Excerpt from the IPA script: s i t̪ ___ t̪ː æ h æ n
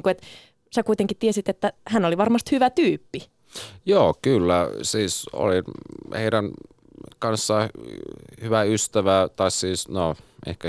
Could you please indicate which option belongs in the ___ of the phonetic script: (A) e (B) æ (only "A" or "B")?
A